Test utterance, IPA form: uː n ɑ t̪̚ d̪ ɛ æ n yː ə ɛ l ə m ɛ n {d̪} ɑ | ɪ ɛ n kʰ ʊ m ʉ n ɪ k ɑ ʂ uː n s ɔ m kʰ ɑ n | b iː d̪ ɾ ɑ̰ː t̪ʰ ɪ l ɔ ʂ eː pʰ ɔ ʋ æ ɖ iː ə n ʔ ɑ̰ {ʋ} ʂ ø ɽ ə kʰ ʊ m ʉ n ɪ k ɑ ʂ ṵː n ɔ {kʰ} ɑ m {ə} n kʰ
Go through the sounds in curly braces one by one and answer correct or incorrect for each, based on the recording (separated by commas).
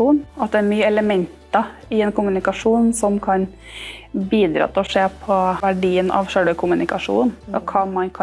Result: incorrect, correct, correct, incorrect